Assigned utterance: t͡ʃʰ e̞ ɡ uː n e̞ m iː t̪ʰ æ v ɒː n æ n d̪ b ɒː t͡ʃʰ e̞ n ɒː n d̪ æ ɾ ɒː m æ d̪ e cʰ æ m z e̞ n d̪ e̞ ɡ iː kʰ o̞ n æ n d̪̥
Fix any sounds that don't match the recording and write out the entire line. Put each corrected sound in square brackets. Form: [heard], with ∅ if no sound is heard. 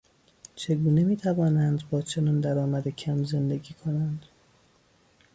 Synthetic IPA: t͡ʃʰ e̞ ɡ uː n e̞ m iː t̪ʰ æ v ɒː n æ n d̪ b ɒː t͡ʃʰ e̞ n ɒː n d̪ æ ɾ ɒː m æ d̪ e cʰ æ m z e̞ n d̪ e̞ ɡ iː kʰ o̞ n æ n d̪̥